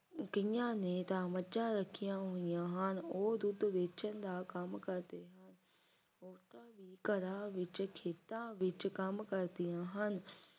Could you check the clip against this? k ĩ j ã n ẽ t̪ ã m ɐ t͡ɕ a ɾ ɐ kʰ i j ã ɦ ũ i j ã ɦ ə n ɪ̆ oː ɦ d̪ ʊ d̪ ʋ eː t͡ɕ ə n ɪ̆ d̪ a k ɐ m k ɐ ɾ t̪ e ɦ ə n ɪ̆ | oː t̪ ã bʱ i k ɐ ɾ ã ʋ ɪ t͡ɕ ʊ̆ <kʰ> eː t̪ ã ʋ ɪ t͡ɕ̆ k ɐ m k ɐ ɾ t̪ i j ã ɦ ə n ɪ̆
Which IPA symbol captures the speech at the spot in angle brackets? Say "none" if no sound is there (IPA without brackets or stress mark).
kʰ